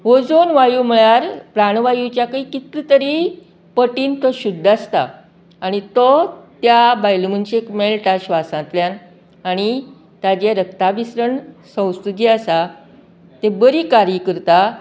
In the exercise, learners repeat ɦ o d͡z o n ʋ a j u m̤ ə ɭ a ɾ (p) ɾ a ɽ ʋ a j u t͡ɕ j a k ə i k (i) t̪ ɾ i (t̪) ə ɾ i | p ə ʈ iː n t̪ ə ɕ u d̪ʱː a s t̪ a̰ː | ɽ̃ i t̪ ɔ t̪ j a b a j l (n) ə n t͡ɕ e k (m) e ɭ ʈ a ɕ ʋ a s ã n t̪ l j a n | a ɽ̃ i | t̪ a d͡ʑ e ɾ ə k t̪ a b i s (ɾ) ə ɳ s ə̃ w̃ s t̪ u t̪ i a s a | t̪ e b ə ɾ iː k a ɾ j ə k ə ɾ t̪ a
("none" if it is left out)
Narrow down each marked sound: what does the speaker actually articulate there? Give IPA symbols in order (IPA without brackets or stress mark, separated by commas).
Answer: p, i, t̪, m, m, ɾ